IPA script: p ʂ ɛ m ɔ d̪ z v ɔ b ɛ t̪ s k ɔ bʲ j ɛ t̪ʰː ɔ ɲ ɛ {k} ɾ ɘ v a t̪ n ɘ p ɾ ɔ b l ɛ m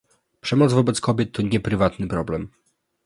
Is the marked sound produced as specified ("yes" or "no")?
no